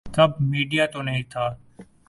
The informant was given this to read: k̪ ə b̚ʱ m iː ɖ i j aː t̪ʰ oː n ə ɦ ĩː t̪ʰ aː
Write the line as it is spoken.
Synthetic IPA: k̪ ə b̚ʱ m iː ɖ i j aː t̪ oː n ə ɦ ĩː t̪ʰ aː